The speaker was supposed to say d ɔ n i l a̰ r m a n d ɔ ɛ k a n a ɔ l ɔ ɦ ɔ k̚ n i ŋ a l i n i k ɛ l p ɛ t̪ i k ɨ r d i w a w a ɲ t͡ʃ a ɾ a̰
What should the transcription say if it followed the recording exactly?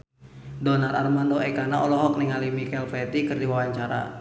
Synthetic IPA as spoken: d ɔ n a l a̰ r m a n d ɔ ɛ k a n a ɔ l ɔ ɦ ɔ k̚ n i ŋ a l i m i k ɛ l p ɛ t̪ i k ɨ r d i w a w a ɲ t͡ʃ a ɾ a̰